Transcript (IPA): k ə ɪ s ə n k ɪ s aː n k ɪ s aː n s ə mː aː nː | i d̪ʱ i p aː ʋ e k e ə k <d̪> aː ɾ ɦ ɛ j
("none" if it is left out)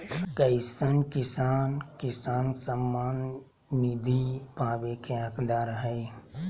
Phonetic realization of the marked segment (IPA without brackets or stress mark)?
d̪